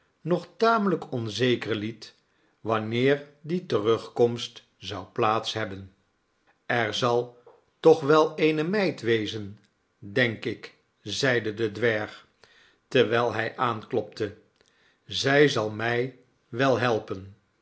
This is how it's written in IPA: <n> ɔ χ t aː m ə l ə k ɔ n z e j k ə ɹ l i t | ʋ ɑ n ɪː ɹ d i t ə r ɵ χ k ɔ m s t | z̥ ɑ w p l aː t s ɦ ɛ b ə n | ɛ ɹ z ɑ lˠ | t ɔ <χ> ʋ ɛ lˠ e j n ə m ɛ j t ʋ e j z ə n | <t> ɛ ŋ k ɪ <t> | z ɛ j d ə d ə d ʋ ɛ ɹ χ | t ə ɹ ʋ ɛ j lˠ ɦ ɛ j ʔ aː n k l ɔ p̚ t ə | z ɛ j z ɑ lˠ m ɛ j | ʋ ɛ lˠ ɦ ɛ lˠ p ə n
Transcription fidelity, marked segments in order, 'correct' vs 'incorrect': correct, correct, incorrect, incorrect

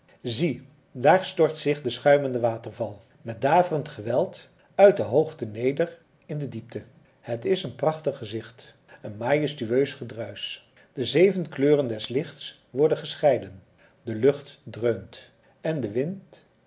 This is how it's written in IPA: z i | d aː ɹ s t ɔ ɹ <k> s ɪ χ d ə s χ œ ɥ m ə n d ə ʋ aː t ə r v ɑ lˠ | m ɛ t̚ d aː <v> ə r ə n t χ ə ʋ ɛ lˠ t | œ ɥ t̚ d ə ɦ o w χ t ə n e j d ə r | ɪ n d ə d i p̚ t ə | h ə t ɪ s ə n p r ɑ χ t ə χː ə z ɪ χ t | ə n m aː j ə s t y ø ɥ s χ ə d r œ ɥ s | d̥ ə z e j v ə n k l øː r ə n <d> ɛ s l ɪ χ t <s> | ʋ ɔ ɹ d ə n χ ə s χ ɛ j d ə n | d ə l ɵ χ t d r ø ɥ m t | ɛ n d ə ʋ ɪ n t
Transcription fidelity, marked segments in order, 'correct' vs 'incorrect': incorrect, correct, correct, correct

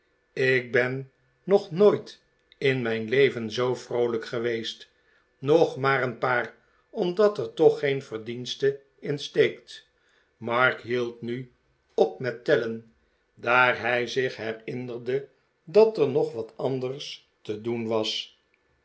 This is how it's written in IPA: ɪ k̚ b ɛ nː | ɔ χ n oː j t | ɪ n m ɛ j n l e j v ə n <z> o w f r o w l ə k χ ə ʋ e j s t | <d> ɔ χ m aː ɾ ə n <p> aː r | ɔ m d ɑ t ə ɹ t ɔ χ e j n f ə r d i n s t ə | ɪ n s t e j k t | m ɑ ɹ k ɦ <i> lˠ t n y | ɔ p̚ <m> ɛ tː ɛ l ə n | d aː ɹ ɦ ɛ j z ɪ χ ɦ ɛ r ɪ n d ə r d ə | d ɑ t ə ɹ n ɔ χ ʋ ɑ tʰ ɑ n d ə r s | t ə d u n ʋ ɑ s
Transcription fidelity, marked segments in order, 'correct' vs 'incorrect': correct, incorrect, correct, correct, correct

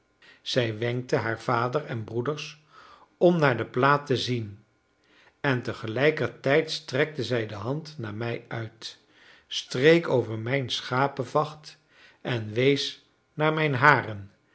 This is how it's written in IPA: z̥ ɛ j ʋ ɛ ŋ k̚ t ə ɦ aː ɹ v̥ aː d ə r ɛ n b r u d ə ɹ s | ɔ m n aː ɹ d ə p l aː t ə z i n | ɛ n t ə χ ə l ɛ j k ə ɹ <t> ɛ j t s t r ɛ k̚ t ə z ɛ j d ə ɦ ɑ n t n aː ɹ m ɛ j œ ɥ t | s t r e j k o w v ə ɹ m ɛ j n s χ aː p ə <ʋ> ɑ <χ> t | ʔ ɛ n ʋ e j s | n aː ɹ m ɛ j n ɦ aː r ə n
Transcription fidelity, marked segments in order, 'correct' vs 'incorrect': correct, incorrect, correct

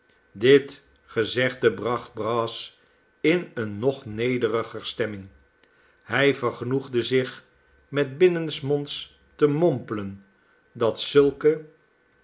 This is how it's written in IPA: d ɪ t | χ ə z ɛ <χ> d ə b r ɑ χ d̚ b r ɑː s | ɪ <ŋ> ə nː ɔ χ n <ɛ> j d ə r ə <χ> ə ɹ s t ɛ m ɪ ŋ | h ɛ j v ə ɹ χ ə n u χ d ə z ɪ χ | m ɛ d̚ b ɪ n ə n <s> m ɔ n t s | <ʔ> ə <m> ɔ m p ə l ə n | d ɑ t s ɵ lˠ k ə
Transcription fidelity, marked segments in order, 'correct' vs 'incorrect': correct, incorrect, incorrect, correct, correct, incorrect, correct

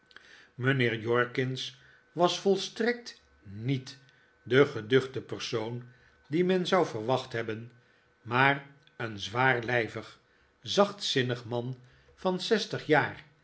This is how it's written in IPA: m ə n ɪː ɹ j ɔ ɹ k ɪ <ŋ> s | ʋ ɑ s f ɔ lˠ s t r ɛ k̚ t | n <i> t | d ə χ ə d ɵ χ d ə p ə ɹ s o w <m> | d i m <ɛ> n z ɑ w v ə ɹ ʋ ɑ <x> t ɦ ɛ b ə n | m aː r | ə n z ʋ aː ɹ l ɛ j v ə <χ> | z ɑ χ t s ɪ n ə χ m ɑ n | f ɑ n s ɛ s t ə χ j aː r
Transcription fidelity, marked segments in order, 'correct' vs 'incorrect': incorrect, correct, incorrect, correct, incorrect, correct

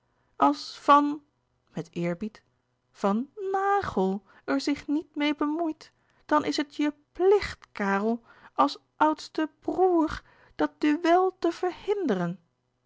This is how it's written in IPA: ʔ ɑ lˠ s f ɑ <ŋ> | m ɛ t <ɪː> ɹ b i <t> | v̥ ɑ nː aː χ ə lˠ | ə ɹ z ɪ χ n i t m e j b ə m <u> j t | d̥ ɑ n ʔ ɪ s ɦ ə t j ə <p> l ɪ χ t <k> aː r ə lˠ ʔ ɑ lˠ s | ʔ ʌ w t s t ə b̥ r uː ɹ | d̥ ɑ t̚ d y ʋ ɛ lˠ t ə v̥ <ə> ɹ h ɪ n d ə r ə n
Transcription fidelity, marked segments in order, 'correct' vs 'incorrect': incorrect, correct, correct, correct, correct, correct, correct

